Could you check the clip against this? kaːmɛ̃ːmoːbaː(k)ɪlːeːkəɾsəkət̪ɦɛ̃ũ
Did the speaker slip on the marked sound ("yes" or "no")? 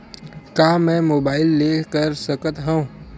yes